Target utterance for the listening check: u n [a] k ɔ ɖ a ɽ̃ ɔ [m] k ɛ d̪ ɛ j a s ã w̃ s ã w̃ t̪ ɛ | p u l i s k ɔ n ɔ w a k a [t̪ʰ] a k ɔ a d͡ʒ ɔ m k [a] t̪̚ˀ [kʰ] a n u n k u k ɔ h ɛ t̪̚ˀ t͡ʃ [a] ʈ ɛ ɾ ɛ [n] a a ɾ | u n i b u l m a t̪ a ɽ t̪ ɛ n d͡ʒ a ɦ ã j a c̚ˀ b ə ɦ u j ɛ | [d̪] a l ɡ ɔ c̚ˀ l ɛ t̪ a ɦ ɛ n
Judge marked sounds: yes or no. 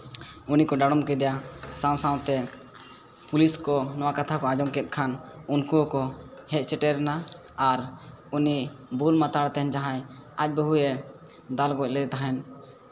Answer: no, yes, yes, no, yes, no, yes, yes

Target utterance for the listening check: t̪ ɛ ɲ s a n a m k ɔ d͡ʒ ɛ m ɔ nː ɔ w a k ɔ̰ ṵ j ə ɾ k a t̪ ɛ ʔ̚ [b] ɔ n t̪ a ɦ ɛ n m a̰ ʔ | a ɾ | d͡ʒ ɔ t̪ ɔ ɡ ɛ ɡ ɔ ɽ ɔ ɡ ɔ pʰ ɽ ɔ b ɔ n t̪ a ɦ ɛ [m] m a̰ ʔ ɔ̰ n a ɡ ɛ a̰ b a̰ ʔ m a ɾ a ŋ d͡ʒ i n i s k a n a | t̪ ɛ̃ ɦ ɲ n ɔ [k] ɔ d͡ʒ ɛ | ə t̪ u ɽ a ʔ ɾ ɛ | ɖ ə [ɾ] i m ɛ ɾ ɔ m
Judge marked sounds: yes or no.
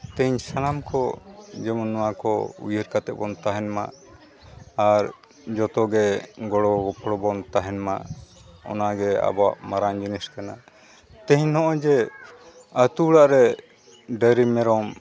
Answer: yes, no, no, yes

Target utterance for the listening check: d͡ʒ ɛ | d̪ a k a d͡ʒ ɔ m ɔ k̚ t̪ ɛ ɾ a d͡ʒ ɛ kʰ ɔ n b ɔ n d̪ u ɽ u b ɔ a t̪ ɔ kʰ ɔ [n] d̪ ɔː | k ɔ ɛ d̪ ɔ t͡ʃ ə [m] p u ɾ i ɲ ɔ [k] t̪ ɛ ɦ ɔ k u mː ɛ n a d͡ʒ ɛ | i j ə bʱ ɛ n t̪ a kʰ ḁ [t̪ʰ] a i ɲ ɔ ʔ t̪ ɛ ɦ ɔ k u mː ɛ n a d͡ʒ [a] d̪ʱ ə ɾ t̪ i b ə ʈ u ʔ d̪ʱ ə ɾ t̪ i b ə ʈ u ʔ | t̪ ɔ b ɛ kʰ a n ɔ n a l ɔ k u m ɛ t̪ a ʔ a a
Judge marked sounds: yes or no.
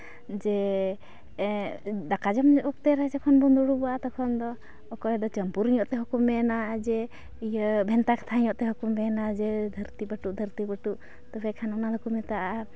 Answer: yes, yes, no, yes, no

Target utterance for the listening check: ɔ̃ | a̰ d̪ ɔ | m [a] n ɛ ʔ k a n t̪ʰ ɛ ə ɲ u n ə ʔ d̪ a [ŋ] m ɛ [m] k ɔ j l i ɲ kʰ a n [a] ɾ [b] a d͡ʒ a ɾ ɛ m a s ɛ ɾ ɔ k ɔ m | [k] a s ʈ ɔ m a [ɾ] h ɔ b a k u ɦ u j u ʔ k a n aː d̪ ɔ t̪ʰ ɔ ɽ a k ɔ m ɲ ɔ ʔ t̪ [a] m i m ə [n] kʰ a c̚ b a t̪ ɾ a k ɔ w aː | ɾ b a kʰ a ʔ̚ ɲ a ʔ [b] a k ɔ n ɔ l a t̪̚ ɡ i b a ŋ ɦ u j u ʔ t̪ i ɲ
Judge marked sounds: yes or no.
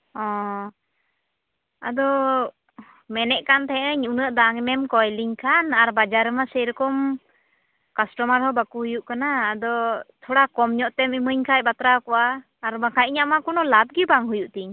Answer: no, yes, yes, yes, yes, yes, yes, no, no, no

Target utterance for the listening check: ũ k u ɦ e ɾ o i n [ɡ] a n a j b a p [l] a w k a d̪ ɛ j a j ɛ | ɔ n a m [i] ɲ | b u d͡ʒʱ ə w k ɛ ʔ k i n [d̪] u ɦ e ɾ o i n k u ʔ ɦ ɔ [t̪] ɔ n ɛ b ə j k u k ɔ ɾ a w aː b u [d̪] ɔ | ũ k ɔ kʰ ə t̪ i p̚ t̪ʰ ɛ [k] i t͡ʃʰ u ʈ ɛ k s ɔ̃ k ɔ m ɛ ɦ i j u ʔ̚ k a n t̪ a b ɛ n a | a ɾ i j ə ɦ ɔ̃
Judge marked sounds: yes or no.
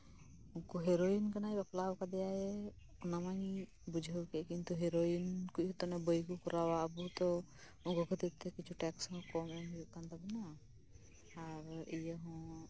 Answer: no, yes, no, no, yes, no, yes

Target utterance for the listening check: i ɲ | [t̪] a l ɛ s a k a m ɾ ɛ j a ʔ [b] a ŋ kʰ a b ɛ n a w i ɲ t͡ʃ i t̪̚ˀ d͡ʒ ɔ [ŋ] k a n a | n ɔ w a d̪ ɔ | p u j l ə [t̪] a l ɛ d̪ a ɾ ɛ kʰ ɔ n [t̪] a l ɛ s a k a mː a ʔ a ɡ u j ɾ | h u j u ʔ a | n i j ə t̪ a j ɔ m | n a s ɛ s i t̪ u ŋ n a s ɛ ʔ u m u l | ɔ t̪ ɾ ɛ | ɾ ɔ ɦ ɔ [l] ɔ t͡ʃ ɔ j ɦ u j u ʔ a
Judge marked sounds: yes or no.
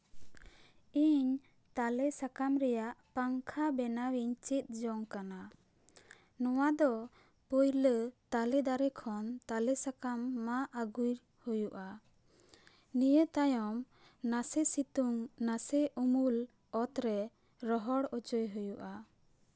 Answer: yes, no, yes, yes, yes, no

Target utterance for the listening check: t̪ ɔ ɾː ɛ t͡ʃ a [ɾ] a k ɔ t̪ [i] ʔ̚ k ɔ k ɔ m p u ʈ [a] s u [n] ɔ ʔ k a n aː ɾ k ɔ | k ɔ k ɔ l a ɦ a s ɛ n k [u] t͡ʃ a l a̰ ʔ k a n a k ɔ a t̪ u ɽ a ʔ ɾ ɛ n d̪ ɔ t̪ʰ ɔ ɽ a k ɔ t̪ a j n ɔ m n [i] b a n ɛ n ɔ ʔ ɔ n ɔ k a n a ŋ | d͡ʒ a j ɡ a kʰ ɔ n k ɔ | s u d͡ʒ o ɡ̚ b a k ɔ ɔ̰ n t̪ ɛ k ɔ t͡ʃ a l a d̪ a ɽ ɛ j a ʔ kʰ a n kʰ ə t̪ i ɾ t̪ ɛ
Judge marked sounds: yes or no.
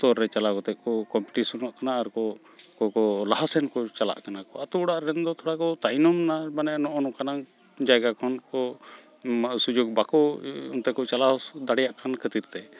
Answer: no, no, no, yes, no, no

